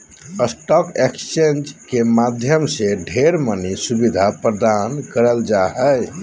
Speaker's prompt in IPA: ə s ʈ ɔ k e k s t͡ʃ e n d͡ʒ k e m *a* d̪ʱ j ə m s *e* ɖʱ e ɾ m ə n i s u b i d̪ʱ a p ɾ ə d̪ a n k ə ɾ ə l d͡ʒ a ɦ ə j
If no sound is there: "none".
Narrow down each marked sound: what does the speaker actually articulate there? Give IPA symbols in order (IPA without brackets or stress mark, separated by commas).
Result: a, e